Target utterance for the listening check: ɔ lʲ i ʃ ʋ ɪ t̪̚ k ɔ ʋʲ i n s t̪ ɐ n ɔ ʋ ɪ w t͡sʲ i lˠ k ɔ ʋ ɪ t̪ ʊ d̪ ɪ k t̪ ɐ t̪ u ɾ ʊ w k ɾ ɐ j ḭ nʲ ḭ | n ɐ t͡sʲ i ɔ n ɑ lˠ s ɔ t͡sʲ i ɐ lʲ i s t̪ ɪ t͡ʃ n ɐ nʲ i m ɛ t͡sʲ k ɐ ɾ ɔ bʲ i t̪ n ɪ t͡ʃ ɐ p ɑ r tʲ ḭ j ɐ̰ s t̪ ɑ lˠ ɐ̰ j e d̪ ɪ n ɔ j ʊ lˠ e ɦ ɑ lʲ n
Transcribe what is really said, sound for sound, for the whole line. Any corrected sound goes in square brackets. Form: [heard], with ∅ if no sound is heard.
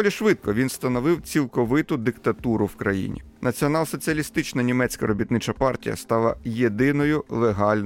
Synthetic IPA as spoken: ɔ lʲ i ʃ ʋ ɪ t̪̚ k ɔ ʋʲ i n s t̪ ɐ n ɔ ʋ ɪ w t͡sʲ i lˠ k ɔ ʋ ɪ t̪ ʊ d̪ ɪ k t̪ ɐ t̪ u ɾ ʊ w k ɾ ɐ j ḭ nʲ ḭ | n ɐ t͡sʲ i ɔ n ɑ lˠ s ɔ t͡sʲ i ɐ lʲ i s t̪ ɪ t͡ʃ n ɐ nʲ i m ɛ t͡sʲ k ɐ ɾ ɔ bʲ i t̪ n ɪ t͡ʃ ɐ p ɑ r tʲ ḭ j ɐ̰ s t̪ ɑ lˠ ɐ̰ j e d̪ ɪ n ɔ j ʊ lˠ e ɦ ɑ lʲ n